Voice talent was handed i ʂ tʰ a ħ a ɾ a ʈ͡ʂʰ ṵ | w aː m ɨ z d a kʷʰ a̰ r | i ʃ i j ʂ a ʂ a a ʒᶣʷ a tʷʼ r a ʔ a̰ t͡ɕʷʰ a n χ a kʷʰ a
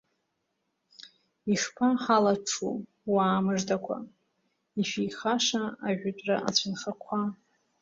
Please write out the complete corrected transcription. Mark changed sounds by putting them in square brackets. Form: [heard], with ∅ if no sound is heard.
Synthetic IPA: i ʂ [pʰ] a ħ a [l] a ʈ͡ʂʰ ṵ | w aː m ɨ [ʐ] d a kʷʰ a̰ [∅] | i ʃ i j [χ] a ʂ a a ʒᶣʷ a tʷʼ r a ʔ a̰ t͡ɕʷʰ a n χ a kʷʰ a